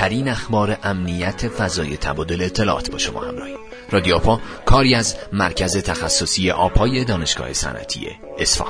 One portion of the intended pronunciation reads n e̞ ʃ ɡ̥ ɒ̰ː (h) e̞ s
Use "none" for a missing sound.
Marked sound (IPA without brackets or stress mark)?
h